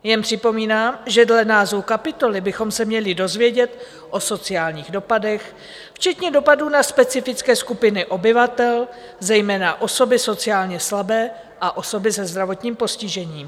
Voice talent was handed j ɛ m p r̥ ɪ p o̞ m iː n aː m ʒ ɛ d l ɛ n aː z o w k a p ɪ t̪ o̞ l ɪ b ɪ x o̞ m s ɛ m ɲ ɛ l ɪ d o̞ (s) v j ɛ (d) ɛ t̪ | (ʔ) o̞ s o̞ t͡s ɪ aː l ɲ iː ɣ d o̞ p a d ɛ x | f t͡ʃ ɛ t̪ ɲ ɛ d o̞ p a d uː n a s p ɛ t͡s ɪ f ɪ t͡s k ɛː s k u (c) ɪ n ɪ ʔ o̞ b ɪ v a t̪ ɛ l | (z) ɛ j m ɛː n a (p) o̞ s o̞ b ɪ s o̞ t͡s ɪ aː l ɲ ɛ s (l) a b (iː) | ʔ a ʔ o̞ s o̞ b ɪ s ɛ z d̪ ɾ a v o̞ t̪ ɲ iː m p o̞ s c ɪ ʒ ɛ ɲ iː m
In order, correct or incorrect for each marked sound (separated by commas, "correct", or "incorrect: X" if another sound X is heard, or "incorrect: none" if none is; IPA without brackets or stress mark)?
incorrect: z, incorrect: ɟ, correct, incorrect: p, correct, incorrect: ʔ, correct, incorrect: ɛː